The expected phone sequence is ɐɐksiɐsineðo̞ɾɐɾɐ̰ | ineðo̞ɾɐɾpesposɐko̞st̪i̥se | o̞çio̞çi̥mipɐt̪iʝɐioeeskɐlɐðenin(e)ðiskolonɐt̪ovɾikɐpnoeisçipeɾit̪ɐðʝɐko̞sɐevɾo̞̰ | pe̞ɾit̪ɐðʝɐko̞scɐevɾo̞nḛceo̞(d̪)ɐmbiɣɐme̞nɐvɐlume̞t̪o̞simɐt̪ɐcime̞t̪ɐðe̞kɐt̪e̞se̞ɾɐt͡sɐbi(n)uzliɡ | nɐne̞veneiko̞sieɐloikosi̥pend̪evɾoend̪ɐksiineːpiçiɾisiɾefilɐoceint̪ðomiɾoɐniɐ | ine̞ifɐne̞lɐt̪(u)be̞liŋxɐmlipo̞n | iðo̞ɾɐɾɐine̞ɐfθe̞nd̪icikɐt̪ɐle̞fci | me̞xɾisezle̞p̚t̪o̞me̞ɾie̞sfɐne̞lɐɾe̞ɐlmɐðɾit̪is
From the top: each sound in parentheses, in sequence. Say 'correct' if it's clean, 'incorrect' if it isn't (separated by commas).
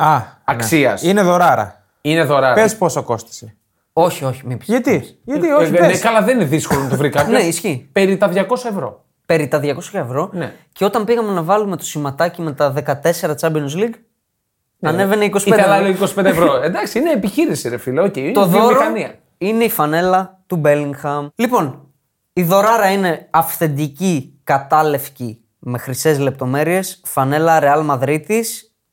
correct, incorrect, correct, correct